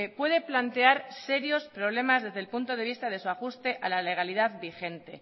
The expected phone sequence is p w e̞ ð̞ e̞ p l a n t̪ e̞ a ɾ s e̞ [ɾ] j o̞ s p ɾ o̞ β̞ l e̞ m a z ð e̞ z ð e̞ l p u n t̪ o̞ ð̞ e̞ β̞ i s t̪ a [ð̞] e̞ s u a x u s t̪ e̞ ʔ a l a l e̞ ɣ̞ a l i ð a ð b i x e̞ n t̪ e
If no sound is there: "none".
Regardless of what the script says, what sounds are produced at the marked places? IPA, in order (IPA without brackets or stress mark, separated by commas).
ɾ, ð̞